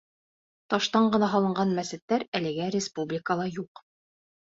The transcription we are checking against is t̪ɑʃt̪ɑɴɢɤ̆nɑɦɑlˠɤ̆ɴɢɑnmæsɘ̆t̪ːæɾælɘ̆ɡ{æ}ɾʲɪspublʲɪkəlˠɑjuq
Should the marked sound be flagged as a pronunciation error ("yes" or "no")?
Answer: no